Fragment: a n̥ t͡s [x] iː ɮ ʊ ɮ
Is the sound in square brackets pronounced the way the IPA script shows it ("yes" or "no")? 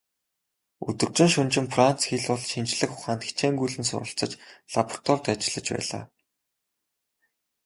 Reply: yes